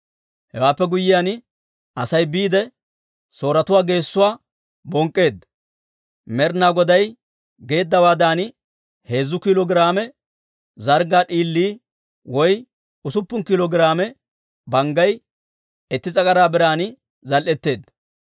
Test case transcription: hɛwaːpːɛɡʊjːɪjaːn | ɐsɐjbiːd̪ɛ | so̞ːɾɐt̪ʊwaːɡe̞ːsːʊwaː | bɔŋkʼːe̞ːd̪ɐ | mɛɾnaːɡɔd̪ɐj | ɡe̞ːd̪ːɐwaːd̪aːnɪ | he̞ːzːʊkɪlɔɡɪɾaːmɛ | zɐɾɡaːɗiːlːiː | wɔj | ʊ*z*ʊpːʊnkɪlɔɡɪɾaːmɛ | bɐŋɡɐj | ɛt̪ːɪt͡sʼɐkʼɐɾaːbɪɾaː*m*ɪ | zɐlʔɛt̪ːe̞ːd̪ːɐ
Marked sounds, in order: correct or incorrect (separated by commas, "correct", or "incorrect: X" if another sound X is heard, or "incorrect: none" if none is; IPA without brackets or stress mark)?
incorrect: s, incorrect: n